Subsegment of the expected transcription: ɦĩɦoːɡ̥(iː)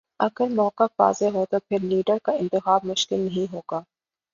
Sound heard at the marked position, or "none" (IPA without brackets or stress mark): aː